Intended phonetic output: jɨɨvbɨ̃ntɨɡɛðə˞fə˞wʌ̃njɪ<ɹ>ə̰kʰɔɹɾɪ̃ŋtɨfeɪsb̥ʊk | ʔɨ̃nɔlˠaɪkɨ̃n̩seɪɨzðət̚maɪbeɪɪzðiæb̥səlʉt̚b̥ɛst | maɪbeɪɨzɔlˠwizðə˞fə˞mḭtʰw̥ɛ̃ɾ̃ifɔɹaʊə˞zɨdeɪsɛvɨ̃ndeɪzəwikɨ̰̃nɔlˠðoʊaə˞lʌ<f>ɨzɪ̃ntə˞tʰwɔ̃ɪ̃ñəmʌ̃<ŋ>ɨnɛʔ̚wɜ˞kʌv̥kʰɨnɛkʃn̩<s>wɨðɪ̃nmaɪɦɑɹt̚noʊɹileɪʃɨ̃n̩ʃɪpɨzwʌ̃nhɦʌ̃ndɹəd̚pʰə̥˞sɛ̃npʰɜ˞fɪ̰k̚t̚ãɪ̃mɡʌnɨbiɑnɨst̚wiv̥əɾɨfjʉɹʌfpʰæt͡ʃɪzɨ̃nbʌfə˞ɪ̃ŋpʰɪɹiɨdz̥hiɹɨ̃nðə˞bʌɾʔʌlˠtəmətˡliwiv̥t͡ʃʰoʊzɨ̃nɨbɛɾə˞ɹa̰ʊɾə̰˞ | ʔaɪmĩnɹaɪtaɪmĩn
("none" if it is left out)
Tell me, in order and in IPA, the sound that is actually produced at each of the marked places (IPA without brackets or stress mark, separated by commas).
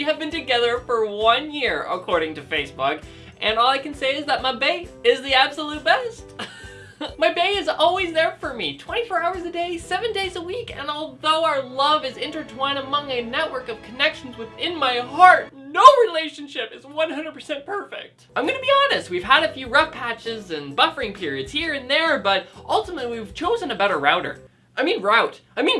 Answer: ɹ, v, ŋ, z